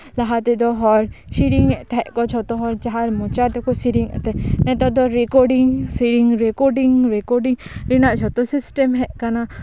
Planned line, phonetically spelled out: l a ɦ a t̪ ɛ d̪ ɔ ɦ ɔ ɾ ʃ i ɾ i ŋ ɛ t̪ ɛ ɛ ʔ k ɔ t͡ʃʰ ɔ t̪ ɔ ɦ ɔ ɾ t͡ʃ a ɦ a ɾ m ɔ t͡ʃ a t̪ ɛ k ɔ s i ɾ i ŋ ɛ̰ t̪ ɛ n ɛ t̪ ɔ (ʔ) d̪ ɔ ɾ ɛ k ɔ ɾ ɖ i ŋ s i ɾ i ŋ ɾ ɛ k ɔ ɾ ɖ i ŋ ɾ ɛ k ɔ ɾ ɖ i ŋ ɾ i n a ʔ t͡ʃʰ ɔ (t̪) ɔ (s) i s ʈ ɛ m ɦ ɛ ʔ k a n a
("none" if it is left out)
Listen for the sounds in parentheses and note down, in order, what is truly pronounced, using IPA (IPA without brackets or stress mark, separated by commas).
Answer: none, t̪, s